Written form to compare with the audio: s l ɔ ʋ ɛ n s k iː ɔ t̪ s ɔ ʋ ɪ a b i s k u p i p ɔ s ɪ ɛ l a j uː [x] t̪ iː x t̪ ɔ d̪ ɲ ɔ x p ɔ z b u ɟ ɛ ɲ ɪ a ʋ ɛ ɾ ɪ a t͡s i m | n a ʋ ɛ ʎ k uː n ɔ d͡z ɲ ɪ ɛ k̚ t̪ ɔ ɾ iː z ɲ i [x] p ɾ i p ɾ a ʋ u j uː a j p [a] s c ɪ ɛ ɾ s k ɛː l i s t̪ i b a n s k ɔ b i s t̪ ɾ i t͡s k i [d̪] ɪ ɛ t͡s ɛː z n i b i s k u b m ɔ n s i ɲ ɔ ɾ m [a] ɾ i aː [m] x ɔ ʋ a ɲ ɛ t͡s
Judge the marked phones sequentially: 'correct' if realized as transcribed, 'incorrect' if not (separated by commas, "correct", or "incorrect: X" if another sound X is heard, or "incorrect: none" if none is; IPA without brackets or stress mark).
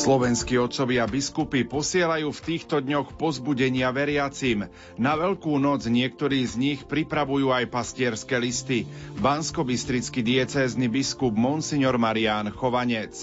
incorrect: f, correct, correct, correct, correct, incorrect: n